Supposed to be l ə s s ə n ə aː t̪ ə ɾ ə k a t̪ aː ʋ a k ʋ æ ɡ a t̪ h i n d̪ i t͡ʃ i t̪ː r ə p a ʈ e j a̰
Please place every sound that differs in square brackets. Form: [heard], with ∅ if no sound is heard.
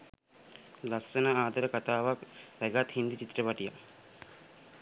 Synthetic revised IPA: l [a] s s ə n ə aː [d̪] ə ɾ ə k a t̪ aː ʋ a k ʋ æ ɡ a t̪ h i n d̪ i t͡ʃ i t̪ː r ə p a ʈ [i] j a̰